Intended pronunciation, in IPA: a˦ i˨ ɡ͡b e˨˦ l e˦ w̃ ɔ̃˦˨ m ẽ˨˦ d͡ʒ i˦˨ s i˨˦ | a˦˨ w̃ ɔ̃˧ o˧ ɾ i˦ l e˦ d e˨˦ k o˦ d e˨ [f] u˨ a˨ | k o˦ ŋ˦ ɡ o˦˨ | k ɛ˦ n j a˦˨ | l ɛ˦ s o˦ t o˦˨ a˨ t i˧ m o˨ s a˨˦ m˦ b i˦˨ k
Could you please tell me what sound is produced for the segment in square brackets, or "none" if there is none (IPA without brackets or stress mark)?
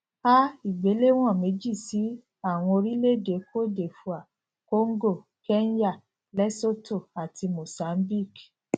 f